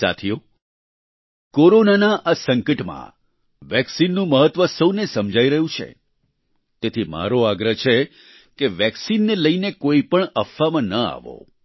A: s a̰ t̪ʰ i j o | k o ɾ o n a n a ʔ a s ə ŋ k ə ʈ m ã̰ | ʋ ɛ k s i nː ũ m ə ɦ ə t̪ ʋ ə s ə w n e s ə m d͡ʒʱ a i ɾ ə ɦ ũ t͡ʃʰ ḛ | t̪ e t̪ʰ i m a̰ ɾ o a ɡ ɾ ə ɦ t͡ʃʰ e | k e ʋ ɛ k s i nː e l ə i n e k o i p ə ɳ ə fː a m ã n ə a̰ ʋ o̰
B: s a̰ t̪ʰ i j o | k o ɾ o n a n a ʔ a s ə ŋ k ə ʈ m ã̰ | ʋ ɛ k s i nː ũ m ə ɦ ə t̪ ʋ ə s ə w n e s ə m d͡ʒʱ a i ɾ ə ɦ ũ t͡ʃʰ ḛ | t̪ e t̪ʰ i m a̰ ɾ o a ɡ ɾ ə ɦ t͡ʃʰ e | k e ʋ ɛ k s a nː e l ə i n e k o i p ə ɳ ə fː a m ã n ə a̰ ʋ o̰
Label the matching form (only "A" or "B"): A